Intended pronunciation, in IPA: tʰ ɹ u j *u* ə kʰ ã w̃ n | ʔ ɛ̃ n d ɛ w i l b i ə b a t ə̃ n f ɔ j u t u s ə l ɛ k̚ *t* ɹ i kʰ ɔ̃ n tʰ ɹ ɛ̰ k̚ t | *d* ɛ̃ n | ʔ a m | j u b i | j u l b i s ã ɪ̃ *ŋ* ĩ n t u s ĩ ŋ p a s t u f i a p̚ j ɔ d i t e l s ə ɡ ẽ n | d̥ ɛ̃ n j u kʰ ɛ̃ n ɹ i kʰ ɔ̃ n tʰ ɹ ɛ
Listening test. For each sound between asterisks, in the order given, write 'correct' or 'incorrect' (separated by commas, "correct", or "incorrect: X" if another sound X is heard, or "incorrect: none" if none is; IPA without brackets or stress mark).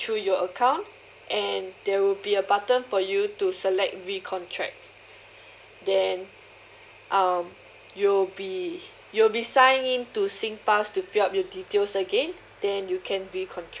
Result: incorrect: ɔ, correct, correct, correct